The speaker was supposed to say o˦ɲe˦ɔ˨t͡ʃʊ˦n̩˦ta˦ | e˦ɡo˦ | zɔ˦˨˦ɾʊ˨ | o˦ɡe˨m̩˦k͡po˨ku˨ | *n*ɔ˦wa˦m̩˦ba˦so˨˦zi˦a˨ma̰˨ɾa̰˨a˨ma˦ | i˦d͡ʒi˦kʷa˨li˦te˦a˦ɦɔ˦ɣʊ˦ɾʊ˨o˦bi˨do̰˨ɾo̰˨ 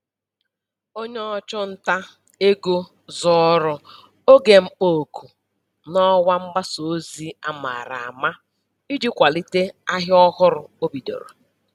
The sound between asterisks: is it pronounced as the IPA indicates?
yes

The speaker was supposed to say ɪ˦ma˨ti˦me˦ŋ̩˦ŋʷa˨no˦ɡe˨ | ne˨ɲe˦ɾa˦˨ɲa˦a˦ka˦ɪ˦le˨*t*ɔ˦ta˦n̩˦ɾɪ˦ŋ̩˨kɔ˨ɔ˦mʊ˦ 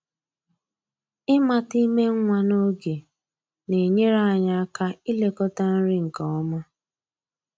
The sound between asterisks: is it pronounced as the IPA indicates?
no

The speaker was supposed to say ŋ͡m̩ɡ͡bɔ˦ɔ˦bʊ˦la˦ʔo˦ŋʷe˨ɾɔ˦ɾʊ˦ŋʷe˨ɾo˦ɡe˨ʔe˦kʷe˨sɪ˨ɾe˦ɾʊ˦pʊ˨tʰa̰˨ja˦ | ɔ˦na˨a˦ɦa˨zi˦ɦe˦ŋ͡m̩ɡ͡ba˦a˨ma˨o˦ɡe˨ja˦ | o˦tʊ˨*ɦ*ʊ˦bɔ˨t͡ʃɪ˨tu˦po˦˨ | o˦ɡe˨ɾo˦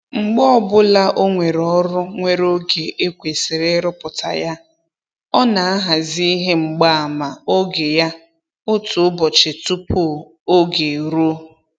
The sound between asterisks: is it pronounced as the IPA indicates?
no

